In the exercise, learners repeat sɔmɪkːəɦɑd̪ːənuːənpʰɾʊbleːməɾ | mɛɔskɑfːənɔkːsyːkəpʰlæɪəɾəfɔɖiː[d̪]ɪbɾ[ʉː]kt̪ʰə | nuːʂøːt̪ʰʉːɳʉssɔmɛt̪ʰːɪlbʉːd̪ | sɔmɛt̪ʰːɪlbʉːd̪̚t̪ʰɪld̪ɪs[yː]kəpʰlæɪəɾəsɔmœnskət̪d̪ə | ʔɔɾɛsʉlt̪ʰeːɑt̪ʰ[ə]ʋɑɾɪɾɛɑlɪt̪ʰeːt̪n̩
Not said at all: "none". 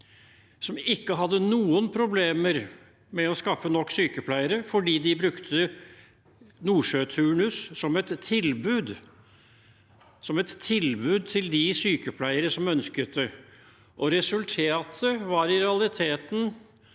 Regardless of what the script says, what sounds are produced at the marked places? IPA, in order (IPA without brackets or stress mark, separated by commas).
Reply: d̪, ʉ, yː, ə